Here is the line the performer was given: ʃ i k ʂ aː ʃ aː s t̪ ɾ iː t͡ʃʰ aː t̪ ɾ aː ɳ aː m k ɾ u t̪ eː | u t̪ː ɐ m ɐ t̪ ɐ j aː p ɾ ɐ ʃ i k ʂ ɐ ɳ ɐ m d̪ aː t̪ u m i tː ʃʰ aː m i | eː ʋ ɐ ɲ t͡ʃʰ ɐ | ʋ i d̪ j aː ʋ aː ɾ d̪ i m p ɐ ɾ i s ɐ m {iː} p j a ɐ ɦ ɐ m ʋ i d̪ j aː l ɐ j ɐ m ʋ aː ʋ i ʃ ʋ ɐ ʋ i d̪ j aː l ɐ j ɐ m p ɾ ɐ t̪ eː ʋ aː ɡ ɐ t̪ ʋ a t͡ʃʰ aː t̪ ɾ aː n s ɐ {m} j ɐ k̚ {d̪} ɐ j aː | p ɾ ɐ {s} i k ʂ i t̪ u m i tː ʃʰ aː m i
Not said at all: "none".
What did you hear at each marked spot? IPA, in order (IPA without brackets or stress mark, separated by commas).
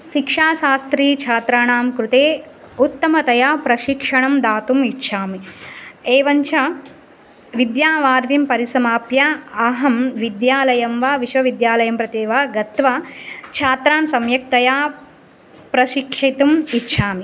aː, m, t̪, ʃ